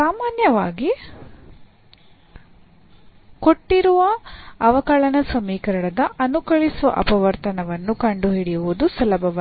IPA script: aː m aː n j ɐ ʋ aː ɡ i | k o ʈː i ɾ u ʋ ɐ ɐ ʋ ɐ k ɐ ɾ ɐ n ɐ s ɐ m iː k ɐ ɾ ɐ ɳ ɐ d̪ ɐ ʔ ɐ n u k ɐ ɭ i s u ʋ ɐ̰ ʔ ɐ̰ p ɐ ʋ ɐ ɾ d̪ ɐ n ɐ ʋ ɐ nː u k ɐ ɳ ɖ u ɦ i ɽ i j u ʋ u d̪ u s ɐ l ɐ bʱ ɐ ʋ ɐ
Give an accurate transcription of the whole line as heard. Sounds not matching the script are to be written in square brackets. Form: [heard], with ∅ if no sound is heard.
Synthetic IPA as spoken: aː m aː n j ɐ ʋ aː ɡ i | k o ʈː i ɾ u ʋ ɐ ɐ ʋ ɐ k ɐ [ɭ] ɐ n ɐ s ɐ m iː k ɐ ɾ ɐ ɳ ɐ d̪ ɐ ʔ ɐ n u k ɐ ɭ i s u ʋ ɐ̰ ʔ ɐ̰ p ɐ ʋ ɐ ɾ [t̪] ɐ n ɐ ʋ ɐ nː u k ɐ ɳ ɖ u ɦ i ɽ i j u ʋ u d̪ u s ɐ l ɐ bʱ ɐ ʋ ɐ